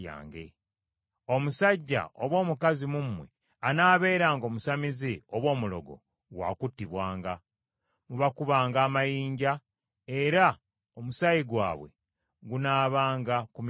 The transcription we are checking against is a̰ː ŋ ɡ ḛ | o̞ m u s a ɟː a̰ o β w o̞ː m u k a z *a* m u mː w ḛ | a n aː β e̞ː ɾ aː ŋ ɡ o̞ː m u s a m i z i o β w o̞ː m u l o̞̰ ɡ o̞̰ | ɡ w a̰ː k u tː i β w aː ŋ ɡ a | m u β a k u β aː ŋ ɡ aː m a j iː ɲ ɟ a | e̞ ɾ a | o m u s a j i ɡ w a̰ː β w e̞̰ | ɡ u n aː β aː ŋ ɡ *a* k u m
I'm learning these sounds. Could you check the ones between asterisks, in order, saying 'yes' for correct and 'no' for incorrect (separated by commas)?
no, yes